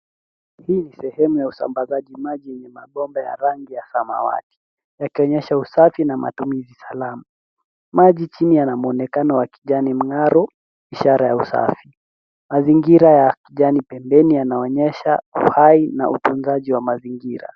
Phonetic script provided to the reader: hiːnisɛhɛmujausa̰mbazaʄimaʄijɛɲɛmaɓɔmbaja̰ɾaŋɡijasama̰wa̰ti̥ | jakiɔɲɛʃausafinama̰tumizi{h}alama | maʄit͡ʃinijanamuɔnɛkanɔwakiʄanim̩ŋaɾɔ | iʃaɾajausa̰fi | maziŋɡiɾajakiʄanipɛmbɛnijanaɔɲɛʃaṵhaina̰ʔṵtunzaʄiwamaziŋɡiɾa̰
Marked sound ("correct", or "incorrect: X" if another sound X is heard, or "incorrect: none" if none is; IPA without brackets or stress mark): incorrect: s